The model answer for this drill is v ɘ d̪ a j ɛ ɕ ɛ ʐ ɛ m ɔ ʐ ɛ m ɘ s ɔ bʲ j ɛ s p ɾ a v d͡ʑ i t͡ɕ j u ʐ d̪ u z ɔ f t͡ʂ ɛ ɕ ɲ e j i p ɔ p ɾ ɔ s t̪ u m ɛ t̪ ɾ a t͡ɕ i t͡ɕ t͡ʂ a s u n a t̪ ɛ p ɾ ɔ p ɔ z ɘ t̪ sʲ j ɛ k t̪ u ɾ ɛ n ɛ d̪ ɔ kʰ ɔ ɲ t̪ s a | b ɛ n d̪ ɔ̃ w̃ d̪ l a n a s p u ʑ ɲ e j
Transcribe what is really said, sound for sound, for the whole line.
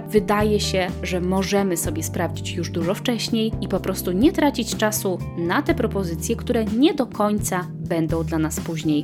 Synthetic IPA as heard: v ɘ d̪ a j ɛ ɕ ɛ ʐ ɛ m ɔ ʐ ɛ m ɘ s ɔ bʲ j ɛ s p ɾ a v d͡ʑ i t͡ɕ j u ʐ d̪ u ʐ ɔ f t͡ʂ ɛ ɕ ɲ e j i p ɔ p ɾ ɔ s t̪ u ɲ ɛ t̪ ɾ a t͡ɕ i t͡ɕ t͡ʂ a s u n a t̪ ɛ p ɾ ɔ p ɔ z ɘ t̪ sʲ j ɛ k t̪ u ɾ ɛ ɲ ɛ d̪ ɔ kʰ ɔ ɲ t̪ s a | b ɛ n d̪ ɔ̃ w̃ d̪ l a n a s p u ʑ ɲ e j